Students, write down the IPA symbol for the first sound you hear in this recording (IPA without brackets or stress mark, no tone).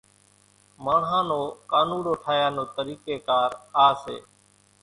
m